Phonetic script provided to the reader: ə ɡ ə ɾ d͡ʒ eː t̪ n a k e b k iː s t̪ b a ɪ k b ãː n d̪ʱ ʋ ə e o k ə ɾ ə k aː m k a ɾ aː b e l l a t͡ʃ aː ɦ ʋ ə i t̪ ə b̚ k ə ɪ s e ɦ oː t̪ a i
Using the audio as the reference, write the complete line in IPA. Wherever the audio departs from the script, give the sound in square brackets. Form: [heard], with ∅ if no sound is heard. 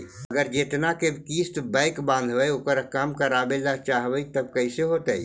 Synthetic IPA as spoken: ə ɡ ə ɾ d͡ʒ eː t̪ n a k e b k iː s t̪ b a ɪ k b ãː n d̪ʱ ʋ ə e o k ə ɾ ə k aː m k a ɾ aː b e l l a t͡ʃ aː ɦ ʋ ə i t̪ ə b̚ k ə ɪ s e ɦ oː t̪ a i